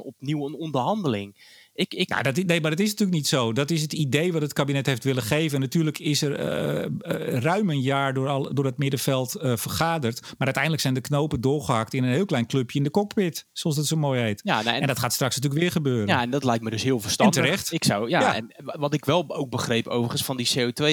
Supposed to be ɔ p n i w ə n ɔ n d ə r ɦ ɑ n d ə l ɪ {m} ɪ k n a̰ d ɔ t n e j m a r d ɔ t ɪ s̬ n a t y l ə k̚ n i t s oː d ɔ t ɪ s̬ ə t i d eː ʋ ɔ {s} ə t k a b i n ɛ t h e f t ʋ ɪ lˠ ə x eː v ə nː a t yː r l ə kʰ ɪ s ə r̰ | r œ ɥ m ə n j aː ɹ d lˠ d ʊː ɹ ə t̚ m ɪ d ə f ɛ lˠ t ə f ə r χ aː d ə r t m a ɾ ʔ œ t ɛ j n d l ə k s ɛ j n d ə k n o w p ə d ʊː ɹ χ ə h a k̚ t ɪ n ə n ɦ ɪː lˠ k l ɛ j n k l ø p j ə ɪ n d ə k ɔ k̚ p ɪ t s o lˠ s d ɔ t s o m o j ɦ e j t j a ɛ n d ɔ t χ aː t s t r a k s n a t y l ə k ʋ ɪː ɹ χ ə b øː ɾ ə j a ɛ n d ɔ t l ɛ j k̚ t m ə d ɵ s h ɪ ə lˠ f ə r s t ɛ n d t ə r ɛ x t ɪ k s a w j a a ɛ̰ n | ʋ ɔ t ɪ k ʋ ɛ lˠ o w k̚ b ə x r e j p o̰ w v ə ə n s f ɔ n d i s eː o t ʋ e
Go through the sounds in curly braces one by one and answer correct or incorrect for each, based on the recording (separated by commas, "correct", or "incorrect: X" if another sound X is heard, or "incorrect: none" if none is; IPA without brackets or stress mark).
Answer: incorrect: ŋ, incorrect: t